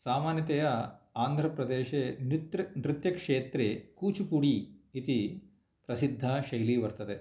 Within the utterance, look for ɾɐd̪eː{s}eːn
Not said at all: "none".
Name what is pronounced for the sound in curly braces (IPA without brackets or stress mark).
ʃ